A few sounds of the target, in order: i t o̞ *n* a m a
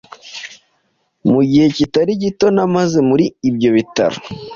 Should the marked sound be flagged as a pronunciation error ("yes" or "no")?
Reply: no